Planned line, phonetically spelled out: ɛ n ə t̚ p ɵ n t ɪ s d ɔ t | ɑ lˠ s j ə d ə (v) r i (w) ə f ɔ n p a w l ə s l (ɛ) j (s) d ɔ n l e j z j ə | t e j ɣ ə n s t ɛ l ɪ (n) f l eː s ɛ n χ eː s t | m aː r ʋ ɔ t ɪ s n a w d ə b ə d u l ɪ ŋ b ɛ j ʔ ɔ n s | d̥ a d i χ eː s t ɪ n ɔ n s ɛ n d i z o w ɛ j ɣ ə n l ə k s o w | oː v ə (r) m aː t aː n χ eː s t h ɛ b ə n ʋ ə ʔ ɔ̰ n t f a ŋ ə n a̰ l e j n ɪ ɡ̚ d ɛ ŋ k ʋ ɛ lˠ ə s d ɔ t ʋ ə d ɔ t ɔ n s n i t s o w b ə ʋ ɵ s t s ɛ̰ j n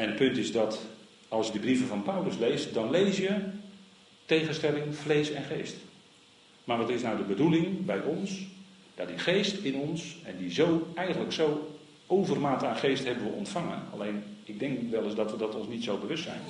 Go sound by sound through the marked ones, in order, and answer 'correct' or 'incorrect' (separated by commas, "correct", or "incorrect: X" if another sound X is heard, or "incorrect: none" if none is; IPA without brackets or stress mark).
incorrect: b, incorrect: v, incorrect: e, correct, incorrect: ŋ, correct